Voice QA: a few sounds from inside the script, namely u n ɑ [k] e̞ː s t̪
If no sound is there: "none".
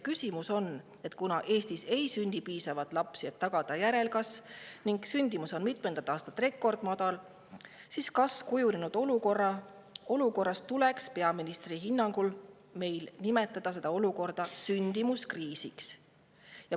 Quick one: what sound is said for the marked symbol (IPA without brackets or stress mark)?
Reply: ʔ